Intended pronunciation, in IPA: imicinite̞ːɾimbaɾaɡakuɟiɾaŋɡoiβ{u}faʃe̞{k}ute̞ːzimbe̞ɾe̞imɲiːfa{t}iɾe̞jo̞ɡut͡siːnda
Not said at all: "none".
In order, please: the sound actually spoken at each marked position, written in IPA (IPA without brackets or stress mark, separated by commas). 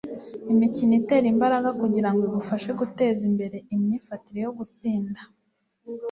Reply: u, ɡ, t